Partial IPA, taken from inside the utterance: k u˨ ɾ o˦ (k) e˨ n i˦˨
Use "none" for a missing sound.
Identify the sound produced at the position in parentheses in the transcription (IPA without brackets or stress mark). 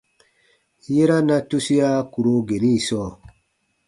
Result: ɡ